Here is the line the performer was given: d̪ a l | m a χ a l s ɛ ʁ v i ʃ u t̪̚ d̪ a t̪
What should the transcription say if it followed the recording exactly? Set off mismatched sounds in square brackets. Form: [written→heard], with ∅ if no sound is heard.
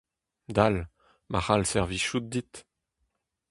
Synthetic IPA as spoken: d̪ a l | m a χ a l s ɛ ʁ v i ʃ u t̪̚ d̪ [a→i] t̪